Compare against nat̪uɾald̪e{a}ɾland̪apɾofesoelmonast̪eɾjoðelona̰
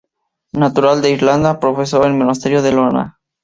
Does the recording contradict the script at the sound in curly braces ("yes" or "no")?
yes